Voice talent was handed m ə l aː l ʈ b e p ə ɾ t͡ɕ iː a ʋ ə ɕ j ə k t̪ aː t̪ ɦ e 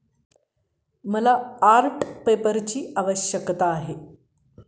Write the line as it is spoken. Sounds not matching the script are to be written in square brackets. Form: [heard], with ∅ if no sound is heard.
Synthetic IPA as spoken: m ə l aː [ɾ] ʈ [p] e p ə ɾ t͡ɕ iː a ʋ ə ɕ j ə k t̪ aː [∅] ɦ e